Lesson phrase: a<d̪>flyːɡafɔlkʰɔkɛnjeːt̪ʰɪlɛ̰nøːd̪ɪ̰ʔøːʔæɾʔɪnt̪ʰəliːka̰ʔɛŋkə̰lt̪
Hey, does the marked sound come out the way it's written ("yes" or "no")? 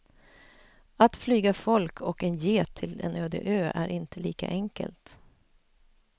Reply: no